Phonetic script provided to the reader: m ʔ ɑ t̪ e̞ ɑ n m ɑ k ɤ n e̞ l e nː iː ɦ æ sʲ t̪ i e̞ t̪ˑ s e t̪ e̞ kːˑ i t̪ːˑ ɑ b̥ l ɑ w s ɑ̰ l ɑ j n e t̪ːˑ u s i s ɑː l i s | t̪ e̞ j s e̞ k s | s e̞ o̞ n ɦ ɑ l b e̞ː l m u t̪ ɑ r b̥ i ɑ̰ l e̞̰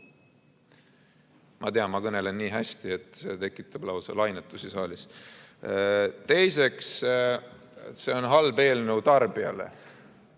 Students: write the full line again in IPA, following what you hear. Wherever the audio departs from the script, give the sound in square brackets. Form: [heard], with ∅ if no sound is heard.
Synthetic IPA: m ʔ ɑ t̪ e̞ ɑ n m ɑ k ɤ n e̞ l e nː iː ɦ æ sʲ t̪ i e̞ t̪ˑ s e t̪ e̞ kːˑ i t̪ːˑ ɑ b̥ l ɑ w s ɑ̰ l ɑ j n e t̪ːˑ u s i s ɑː l i s | t̪ e̞ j s e̞ k s | s e̞ o̞ n ɦ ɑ l b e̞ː l [n] u t̪ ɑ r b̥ i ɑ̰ l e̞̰